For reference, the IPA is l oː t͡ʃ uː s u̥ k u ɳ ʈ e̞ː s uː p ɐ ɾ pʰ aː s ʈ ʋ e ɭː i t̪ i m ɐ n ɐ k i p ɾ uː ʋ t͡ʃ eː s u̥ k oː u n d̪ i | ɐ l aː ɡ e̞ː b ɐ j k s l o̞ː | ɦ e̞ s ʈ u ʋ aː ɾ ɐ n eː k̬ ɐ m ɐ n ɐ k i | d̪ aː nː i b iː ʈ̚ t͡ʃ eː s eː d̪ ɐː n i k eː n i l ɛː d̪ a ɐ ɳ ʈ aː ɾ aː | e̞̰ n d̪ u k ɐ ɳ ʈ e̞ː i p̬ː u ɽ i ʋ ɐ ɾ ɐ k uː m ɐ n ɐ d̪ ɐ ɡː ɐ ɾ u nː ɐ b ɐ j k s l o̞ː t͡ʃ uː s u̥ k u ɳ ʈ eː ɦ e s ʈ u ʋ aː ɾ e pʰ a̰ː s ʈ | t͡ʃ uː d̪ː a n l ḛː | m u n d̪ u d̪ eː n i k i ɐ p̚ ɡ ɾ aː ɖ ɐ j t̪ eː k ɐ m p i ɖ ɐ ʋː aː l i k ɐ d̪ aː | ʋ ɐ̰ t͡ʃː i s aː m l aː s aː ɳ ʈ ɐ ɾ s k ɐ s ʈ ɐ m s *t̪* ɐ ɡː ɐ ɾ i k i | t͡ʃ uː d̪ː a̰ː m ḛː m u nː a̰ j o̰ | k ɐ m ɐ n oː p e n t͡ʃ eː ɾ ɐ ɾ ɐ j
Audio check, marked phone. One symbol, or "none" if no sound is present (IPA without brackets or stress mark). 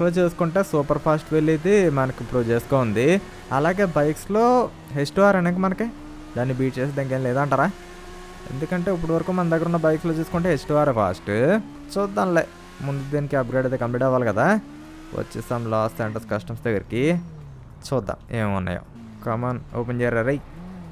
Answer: d̪